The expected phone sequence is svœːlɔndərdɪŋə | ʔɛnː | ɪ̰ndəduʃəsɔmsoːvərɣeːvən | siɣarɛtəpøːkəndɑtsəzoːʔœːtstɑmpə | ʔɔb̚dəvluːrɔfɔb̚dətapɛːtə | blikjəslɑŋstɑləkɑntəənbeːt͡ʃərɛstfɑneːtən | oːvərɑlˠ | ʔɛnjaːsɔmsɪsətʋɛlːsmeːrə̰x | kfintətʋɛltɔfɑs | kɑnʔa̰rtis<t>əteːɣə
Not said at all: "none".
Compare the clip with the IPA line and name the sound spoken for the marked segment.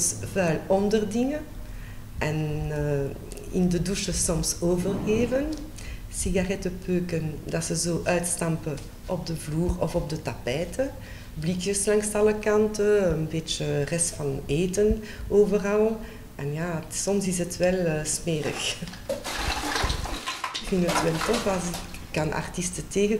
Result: t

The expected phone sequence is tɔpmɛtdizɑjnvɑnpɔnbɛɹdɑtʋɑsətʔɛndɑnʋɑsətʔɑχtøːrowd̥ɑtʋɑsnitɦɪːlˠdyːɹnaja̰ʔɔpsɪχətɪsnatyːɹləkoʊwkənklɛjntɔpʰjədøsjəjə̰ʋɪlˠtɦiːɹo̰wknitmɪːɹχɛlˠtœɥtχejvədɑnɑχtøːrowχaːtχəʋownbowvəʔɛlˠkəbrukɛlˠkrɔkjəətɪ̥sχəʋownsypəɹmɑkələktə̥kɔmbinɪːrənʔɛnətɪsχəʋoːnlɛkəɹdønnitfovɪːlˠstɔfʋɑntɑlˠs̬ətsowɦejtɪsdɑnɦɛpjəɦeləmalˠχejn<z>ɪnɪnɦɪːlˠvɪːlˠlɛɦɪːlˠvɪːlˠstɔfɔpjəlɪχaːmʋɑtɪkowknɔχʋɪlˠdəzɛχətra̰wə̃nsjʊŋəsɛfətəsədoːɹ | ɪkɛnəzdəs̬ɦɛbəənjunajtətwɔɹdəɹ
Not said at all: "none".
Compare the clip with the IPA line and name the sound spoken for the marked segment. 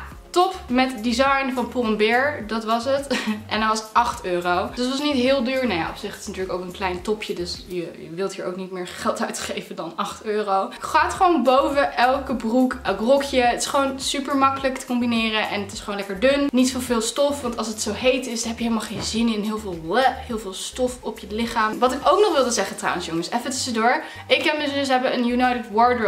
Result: z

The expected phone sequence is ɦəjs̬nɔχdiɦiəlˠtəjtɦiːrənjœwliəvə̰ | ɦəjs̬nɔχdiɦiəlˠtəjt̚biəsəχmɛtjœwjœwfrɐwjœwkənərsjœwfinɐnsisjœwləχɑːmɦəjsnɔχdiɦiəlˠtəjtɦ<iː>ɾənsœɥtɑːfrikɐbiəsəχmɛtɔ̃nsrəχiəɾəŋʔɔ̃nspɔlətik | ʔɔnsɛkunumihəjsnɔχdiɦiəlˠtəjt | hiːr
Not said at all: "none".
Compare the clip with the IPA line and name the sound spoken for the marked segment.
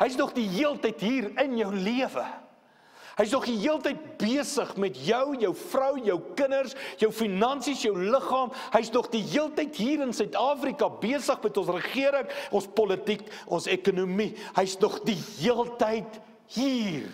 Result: iː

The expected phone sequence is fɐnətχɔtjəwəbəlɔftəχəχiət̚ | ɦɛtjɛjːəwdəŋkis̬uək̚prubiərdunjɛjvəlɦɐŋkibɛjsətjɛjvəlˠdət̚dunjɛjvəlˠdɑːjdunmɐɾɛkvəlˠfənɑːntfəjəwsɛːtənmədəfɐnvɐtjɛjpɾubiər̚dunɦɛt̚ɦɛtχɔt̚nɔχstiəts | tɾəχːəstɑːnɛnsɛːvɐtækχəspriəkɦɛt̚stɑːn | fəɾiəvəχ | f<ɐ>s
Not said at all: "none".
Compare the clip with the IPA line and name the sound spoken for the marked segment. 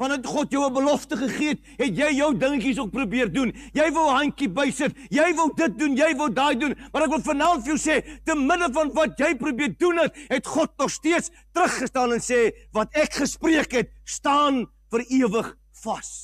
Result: ɐ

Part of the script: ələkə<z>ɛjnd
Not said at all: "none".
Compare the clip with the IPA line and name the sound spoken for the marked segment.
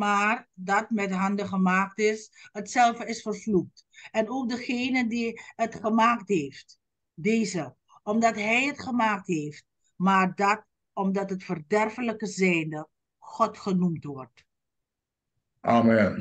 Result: z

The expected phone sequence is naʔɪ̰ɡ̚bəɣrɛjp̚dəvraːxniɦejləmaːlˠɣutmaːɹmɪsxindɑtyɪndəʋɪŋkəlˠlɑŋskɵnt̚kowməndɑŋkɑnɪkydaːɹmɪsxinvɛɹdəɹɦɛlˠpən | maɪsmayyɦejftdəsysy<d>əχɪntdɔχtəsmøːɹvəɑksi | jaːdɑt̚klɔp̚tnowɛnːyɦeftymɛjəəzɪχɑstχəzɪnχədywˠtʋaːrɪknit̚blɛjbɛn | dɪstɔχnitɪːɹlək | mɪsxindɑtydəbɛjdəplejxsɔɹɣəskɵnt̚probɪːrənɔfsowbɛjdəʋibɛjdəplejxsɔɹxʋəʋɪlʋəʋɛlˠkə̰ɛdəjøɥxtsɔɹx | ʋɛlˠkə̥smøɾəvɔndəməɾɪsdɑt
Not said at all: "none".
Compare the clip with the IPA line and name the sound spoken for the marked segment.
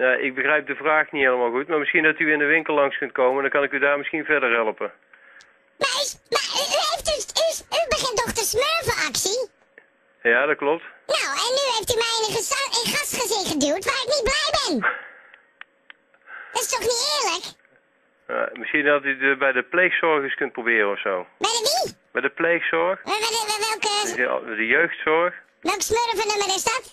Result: b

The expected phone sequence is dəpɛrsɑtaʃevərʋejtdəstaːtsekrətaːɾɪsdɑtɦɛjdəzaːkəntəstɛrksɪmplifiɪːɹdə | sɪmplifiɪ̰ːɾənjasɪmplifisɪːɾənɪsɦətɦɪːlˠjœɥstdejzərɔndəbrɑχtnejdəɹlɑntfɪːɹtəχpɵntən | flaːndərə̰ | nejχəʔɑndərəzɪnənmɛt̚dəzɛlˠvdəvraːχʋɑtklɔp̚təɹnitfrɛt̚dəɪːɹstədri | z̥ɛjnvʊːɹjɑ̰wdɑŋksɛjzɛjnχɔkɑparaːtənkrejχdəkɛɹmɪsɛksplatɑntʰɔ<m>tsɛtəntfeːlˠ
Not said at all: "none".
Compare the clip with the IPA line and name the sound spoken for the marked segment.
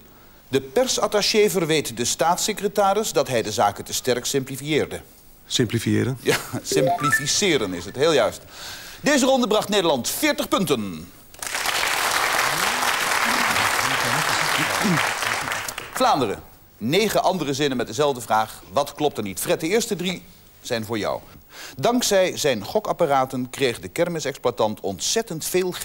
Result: n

